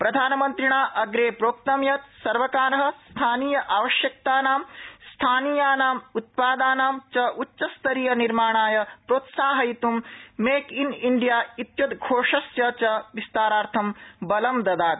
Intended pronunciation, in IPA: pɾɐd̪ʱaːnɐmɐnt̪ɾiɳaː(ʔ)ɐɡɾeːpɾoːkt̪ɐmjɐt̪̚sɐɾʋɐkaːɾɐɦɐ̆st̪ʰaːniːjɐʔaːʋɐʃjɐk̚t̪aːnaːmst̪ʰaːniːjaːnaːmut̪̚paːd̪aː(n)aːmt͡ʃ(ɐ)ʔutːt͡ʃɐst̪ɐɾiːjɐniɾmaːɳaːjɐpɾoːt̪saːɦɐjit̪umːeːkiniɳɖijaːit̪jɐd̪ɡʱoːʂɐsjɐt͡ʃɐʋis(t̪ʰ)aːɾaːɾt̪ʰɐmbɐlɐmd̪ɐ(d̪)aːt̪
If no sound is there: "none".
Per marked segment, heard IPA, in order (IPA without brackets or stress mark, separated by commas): ʔ, n, ɐ, t̪, d̪